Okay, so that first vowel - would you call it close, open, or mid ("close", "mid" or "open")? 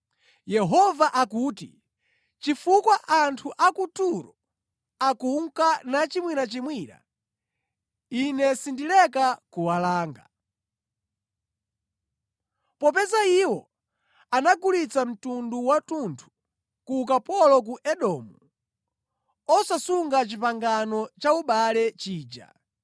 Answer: mid